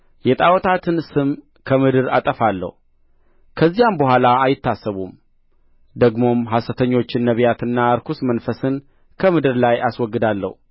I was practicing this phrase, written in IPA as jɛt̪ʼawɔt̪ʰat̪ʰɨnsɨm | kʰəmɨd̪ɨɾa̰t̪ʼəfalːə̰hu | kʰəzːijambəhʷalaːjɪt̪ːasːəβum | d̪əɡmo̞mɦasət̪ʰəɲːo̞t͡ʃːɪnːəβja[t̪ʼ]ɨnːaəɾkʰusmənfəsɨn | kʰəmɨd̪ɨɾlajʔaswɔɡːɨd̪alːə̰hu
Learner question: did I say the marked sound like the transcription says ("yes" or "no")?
no